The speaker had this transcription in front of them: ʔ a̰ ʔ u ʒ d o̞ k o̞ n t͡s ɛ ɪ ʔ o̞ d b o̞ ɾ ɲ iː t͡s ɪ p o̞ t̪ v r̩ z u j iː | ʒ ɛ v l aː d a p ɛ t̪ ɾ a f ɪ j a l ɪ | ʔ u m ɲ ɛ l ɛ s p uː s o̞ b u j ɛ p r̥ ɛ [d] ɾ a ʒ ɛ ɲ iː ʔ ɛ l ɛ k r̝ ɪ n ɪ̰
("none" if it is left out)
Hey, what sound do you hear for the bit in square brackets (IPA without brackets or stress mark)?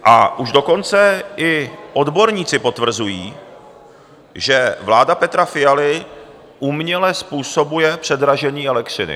d